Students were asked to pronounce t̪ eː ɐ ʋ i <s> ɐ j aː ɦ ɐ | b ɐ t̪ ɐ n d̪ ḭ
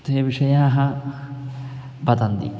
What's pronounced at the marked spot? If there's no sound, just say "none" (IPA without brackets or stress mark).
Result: ʂ